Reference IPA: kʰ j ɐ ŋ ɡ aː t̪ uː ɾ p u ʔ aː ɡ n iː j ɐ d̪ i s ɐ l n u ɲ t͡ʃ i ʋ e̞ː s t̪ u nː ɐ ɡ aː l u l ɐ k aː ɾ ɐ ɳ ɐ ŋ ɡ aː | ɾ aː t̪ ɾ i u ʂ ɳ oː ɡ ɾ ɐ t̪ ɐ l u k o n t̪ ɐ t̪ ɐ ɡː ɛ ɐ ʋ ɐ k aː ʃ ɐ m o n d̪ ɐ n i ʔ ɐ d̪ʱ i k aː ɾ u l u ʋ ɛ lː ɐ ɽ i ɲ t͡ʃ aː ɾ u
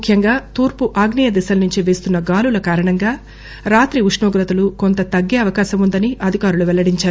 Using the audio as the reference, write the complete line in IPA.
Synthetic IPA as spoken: kʰ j ɐ ŋ ɡ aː t̪ uː ɾ p u ʔ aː ɡ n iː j ɐ d̪ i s ɐ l n u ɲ t͡ʃ i ʋ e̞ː s t̪ u nː ɐ ɡ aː l u l ɐ k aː ɾ ɐ ɳ ɐ ŋ ɡ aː | ɾ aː t̪ ɾ i u ʂ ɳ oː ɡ ɾ ɐ t̪ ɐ l u k o n t̪ ɐ t̪ ɐ ɡː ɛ ɐ ʋ ɐ k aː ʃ ɐ m u n d̪ ɐ n i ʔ ɐ d̪ʱ i k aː ɾ u l u ʋ ɛ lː ɐ ɽ i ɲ t͡ʃ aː ɾ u